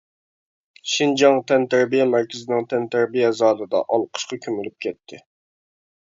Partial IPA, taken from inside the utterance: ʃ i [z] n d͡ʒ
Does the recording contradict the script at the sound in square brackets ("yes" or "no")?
yes